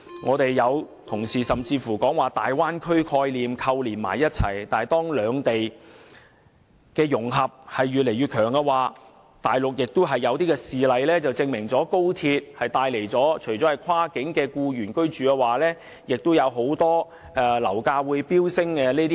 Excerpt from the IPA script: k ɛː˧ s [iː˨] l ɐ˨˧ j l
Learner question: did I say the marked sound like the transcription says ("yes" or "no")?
yes